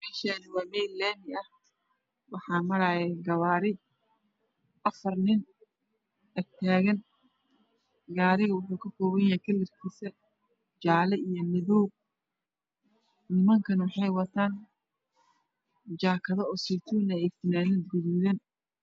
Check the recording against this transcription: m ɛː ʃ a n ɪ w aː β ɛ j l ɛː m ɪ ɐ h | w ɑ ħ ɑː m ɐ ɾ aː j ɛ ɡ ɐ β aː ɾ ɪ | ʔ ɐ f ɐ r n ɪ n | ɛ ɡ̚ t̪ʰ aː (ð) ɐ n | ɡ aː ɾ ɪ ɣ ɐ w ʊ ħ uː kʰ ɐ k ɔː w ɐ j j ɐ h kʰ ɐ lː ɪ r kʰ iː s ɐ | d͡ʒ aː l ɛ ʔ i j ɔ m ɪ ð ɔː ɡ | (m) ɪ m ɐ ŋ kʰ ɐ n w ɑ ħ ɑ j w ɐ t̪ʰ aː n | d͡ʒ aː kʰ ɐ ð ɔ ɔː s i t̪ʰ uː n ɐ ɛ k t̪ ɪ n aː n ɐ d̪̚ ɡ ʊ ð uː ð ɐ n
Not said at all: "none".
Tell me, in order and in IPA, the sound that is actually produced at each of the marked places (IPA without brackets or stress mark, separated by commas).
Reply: ɣ, n